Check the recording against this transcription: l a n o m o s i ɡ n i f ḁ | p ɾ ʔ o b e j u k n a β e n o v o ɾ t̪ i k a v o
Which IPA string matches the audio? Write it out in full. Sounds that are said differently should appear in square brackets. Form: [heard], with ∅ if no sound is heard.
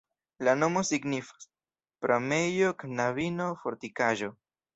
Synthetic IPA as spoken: l a n o m o s i ɡ n i f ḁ | p ɾ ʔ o [m] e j [o] k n a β [i] n o [f] o ɾ t̪ i k a [ʒ] o